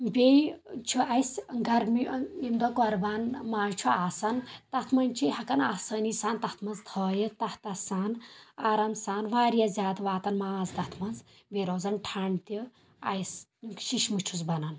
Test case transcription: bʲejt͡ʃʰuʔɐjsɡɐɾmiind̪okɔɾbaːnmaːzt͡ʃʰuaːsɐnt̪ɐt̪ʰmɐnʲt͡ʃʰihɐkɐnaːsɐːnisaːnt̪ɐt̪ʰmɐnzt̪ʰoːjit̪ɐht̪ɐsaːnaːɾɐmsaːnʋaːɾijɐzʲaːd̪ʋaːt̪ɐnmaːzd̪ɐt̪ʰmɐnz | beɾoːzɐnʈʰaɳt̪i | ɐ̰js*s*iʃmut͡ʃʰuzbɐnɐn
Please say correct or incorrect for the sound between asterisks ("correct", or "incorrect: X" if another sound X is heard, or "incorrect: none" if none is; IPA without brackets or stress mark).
incorrect: ʃ